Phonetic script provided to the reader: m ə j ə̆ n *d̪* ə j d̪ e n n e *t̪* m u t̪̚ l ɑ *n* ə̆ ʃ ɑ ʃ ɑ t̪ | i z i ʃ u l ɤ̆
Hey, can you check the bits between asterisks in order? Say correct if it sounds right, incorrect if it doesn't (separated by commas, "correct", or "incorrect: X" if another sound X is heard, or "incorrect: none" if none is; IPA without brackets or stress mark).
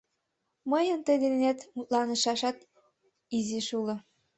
incorrect: t̪, correct, correct